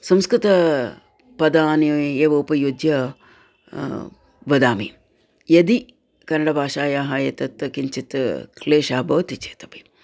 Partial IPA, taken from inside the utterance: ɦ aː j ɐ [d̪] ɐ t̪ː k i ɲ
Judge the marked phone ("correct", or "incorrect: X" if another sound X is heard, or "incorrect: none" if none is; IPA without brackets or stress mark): incorrect: t̪